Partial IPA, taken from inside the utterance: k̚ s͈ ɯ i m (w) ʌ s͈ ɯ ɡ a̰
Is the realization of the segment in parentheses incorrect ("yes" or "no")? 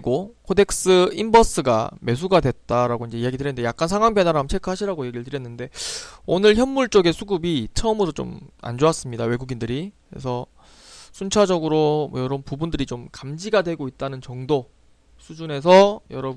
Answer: yes